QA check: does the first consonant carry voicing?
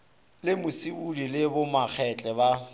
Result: yes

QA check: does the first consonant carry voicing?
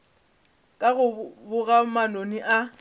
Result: no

